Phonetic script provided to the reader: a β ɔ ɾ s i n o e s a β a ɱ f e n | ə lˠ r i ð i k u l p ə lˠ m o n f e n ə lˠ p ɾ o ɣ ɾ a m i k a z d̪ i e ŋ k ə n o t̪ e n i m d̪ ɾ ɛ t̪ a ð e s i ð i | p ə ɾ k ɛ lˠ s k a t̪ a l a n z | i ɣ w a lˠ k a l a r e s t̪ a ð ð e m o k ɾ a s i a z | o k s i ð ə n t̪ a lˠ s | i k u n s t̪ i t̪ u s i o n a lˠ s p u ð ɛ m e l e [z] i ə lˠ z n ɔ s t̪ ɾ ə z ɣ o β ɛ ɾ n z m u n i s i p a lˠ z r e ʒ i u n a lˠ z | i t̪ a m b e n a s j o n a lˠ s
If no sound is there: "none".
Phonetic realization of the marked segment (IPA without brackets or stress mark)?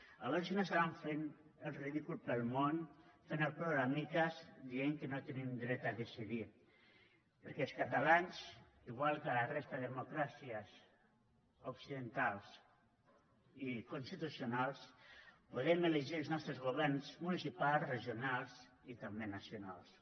ʒ